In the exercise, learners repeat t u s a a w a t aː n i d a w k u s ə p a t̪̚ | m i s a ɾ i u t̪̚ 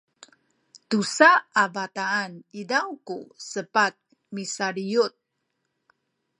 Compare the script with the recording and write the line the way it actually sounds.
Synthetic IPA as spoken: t u s a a v a t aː n i d a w k u s ə p a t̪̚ | m i s a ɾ i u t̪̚